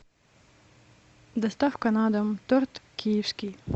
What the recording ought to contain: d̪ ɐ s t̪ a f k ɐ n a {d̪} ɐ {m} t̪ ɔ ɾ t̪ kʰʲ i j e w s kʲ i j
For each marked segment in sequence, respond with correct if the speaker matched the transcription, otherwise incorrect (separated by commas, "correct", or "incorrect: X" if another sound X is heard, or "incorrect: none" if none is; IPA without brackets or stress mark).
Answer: correct, correct